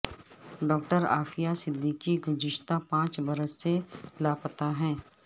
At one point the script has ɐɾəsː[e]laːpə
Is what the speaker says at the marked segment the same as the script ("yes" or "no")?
yes